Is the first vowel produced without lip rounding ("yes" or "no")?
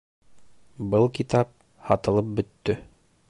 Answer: yes